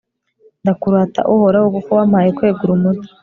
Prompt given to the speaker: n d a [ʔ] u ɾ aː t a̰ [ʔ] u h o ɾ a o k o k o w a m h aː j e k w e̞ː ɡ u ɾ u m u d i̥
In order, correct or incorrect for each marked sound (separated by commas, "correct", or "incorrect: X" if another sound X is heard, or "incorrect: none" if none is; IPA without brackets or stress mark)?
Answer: incorrect: k, correct